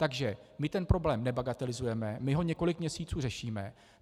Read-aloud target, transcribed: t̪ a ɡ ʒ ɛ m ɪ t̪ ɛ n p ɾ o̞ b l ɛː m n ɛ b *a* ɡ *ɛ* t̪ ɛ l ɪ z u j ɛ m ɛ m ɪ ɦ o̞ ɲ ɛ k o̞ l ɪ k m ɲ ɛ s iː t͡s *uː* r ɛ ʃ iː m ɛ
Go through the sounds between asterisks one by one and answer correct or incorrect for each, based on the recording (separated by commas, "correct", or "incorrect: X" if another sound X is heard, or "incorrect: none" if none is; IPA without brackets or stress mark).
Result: correct, incorrect: a, correct